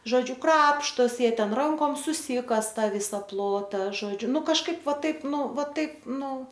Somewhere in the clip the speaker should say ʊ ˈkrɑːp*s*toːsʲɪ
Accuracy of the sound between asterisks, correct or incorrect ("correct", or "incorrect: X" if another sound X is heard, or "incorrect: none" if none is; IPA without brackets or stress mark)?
incorrect: ʃ